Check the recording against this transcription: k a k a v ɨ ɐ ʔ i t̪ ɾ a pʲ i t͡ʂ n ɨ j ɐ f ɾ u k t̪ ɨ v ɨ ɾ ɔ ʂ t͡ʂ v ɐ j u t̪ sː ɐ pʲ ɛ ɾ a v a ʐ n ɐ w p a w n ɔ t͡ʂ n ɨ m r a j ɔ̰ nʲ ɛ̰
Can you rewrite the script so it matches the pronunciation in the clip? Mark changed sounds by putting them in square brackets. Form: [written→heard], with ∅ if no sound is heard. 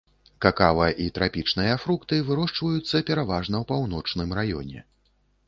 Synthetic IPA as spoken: k a k a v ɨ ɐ ʔ i t̪ ɾ a pʲ i t͡ʂ n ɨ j ɐ f ɾ u k t̪ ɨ v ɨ ɾ ɔ ʂ t͡ʂ v ɐ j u t̪ sː ɐ pʲ ɛ ɾ a v a ʐ n ɐ w p a w n ɔ t͡ʂ n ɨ m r a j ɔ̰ nʲ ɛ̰